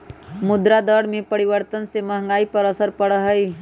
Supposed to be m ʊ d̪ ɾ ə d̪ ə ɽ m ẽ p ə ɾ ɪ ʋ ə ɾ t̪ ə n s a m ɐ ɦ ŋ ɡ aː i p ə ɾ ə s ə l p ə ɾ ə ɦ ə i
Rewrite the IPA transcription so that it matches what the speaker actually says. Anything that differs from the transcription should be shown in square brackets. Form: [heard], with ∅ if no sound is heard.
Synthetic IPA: m ʊ d̪ ɾ [a] d̪ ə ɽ m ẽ p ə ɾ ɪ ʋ ə ɾ t̪ ə n s [e] m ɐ ɦ ŋ ɡ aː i p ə ɾ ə s ə [ɾ] p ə [ɽ] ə ɦ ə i